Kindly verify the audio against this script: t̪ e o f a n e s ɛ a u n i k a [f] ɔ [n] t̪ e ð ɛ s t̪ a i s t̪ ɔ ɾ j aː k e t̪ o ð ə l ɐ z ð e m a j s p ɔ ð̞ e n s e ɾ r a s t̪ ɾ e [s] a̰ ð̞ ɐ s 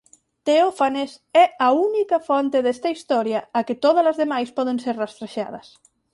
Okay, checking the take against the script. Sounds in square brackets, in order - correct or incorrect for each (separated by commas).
correct, correct, incorrect